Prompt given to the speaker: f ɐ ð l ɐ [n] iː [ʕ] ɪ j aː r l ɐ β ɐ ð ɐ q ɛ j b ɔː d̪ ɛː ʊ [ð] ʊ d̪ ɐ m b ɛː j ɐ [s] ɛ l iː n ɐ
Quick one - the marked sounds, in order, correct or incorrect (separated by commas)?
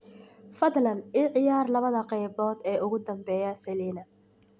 correct, correct, incorrect, correct